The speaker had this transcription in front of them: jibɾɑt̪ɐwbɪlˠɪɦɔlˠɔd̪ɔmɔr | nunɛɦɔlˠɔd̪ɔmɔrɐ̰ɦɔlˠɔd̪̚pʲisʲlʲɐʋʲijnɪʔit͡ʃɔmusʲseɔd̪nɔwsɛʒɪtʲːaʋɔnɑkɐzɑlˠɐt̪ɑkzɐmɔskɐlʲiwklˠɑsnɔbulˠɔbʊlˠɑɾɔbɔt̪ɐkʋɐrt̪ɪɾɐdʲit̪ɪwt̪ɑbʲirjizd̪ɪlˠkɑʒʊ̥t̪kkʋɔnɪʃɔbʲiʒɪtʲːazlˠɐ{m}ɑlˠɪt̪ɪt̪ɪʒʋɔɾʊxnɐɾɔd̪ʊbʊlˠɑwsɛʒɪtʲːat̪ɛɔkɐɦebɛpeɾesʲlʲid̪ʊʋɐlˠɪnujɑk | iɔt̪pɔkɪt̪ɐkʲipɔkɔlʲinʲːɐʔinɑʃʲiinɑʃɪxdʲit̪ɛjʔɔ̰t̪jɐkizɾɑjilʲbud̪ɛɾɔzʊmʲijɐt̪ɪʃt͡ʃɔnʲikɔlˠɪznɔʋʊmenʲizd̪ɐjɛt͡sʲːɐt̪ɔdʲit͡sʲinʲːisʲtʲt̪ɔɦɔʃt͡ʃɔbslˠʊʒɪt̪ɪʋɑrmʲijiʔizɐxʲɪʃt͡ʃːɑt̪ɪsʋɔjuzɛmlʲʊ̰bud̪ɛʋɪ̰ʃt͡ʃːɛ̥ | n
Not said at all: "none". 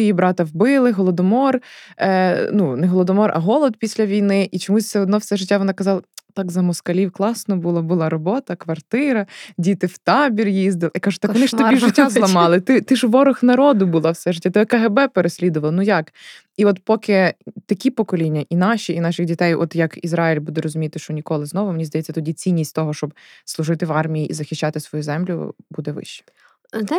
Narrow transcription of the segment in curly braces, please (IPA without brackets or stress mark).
m